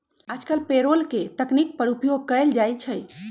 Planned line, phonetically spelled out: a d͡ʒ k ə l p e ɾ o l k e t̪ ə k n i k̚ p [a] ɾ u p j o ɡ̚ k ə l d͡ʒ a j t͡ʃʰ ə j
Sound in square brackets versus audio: incorrect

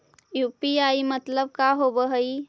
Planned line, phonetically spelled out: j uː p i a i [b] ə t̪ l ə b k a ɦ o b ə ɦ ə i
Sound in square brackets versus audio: incorrect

